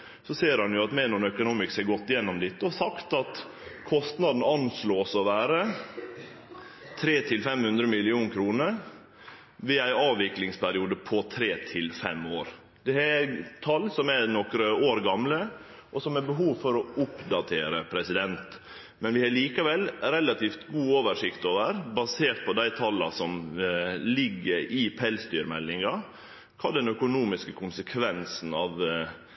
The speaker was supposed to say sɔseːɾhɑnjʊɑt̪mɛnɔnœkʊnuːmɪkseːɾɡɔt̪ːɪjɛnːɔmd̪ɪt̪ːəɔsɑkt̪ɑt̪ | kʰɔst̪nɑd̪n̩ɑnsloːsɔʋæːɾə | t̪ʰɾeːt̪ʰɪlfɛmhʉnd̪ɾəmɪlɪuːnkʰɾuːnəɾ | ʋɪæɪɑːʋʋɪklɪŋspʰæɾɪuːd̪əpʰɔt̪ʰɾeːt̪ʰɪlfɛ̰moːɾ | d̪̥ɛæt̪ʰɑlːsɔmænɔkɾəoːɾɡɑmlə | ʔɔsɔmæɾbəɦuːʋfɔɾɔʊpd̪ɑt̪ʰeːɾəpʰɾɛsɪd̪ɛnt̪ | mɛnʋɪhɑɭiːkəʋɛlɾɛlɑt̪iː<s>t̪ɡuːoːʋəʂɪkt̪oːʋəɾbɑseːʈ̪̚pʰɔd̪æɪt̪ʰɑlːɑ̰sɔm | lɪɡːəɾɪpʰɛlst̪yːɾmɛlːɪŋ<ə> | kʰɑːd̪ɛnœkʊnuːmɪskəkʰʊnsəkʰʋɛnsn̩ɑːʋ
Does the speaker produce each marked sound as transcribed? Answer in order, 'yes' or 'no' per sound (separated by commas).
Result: no, no